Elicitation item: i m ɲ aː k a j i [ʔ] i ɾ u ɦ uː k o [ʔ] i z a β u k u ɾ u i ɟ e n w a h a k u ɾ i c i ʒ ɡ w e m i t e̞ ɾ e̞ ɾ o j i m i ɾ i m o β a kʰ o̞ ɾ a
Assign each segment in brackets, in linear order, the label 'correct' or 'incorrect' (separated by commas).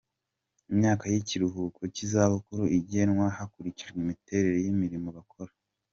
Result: incorrect, incorrect